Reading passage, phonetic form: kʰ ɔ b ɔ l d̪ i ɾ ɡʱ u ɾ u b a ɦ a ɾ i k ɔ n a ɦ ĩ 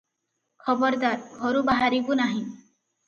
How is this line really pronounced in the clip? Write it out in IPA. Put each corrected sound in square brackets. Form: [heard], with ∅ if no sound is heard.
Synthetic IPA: kʰ ɔ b ɔ [ɾ] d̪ [a] ɾ ɡʱ [ɔ] ɾ u b a ɦ a ɾ i k [u] n a ɦ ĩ

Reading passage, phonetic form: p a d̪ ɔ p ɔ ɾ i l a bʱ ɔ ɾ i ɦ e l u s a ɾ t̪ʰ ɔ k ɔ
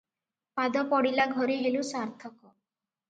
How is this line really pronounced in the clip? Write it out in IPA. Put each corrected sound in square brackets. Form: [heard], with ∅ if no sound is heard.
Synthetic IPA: p a d̪ ɔ p ɔ [ɽ] i l a [ɡʱ] ɔ ɾ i ɦ e l u s a ɾ t̪ʰ ɔ k ɔ

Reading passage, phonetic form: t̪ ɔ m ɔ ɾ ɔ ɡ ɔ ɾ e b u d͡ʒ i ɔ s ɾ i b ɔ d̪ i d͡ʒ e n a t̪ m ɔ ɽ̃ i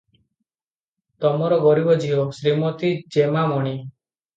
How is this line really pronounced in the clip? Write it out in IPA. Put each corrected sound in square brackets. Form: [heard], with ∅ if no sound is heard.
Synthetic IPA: t̪ ɔ m ɔ ɾ ɔ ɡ ɔ ɾ [i] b [ɔ] d͡ʒ i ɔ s ɾ i [m] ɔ [t̪] i d͡ʒ e [m] a [∅] m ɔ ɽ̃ i

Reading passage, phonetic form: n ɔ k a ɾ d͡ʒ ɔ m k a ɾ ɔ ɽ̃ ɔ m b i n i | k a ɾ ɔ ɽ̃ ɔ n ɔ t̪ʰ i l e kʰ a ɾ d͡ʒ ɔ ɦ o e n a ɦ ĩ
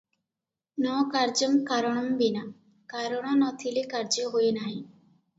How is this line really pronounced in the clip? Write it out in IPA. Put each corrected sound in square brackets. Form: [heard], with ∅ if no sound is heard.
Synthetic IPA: n ɔ k a ɾ d͡ʒ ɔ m k a ɾ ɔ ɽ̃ ɔ m b i n [a] | k a ɾ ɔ ɽ̃ ɔ n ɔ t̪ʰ i l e [k] a ɾ d͡ʒ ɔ ɦ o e n a ɦ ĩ

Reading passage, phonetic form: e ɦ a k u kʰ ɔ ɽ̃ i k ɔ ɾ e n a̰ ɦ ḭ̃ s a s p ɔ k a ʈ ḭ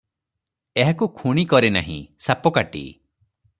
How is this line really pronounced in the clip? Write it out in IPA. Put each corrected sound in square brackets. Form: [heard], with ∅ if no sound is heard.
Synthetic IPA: e ɦ a k u kʰ [u] ɽ̃ i k ɔ ɾ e n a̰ ɦ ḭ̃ s a [∅] p ɔ k a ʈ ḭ

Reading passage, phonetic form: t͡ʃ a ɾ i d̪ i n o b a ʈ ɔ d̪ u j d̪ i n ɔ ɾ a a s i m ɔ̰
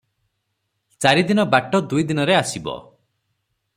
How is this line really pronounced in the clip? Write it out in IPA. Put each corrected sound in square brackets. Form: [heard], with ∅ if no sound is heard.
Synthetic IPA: t͡ʃ a ɾ i d̪ i n [ɔ] b a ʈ ɔ d̪ u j d̪ i n ɔ ɾ [e] a s i [b] ɔ̰

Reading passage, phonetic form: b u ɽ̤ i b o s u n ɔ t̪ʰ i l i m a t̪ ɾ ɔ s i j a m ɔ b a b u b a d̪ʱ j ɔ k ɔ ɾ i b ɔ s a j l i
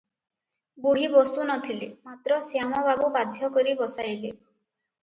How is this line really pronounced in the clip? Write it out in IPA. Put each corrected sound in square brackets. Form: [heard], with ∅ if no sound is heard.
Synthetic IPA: b u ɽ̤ i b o s u n ɔ t̪ʰ i l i m a t̪ ɾ ɔ s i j a m ɔ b a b u b a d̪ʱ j ɔ k ɔ ɾ i b ɔ s a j l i

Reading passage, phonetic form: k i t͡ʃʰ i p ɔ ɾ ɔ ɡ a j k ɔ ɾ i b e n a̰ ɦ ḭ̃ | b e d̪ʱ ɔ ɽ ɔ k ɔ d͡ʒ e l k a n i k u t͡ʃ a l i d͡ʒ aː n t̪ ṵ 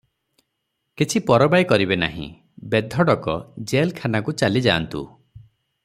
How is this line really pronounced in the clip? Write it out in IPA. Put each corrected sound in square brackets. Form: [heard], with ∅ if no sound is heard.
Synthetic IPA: k i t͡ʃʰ i p ɔ ɾ ɔ [b] a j k ɔ ɾ i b e n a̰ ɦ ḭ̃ | b e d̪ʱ ɔ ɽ ɔ k ɔ d͡ʒ e l [kʰ] a n [a] k u t͡ʃ a l i d͡ʒ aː n t̪ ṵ

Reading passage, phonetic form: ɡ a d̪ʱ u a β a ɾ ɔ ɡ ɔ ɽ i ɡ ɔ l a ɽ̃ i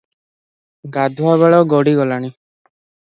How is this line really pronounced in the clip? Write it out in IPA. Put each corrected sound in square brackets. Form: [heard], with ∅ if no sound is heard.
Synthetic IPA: ɡ a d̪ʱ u a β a [ɭ] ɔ ɡ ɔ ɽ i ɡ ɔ l a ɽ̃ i

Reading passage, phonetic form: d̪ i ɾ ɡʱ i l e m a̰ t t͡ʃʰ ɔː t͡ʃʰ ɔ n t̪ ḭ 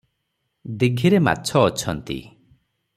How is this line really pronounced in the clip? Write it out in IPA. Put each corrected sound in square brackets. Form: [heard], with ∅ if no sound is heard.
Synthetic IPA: d̪ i [∅] ɡʱ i [ɾ] e m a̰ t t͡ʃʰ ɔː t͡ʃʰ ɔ n t̪ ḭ

